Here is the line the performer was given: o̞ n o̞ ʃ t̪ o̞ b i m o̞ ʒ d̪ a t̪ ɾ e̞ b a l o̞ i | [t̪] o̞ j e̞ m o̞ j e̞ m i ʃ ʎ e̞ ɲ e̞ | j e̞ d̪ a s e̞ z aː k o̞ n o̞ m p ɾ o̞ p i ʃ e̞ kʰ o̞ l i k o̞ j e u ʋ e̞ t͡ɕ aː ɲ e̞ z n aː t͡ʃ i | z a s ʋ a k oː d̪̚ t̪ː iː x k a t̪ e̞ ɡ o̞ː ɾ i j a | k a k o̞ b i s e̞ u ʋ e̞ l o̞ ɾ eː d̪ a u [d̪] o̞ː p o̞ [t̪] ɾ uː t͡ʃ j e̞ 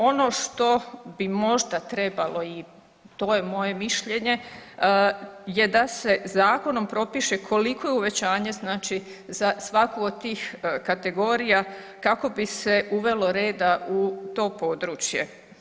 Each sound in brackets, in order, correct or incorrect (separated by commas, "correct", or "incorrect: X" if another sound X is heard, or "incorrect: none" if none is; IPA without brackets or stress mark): correct, incorrect: t̪, incorrect: d̪